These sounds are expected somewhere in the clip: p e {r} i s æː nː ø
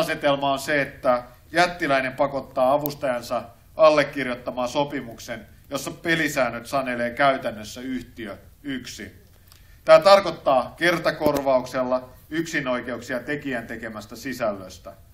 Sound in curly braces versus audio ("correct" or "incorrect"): incorrect